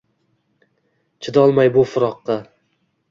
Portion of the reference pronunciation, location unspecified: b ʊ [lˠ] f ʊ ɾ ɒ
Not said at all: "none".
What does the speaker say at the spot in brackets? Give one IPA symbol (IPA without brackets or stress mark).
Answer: none